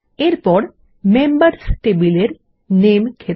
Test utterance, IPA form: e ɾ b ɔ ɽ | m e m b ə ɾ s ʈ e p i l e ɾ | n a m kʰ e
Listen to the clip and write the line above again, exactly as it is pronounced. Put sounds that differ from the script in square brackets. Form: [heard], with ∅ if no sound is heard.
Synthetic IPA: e ɾ [p] ɔ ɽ | m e m b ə ɾ s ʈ e [b] i l e ɾ | n [e] m kʰ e

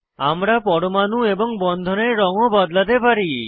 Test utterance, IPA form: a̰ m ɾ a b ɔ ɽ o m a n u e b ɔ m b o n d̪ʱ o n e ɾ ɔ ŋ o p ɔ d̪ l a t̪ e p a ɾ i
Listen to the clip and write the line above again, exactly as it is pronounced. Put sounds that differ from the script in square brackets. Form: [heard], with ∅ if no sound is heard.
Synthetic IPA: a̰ m ɾ a [p] ɔ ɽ o m a n u e b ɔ [ŋ] b [ɔ] n d̪ʱ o n e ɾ ɔ ŋ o [b] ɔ d̪ l a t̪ e p a ɾ i

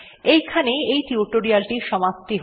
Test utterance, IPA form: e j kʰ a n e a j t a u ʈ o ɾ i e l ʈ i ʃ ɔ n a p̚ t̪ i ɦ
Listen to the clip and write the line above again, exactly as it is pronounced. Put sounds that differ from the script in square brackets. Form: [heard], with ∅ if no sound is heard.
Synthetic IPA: e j kʰ a n e [e] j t [i] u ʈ o ɾ i [a] l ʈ i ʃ ɔ [m] a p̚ t̪ i ɦ

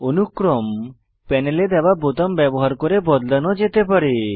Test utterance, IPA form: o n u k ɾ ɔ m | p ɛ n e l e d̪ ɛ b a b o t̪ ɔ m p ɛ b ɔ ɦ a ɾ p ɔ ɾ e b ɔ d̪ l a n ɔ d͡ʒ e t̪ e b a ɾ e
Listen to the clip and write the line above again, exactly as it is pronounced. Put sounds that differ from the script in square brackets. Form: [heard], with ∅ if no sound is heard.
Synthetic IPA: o n u k ɾ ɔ m | p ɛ n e l e d̪ ɛ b a b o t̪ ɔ m [b] ɛ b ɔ ɦ a ɾ [k] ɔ ɾ e b ɔ d̪ l a n ɔ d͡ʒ e t̪ e [p] a ɾ e

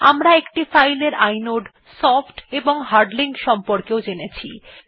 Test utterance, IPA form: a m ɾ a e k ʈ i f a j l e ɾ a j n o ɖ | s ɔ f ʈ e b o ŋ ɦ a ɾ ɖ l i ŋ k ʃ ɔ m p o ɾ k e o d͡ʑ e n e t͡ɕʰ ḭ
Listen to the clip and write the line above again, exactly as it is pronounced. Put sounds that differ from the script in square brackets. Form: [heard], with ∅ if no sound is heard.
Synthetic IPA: a m ɾ a e k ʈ i f a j l e ɾ a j n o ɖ | s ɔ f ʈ e b o ŋ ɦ a ɾ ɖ l i ŋ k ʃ ɔ m p o ɾ k e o d͡ʑ e n e t͡ɕʰ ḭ

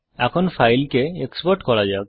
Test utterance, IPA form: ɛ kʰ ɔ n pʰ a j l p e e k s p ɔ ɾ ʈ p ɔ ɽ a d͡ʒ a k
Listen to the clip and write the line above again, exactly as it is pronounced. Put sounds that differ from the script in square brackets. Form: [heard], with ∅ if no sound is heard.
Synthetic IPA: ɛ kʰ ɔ n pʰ a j l [k] e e k s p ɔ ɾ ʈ [k] ɔ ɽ a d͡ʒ a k

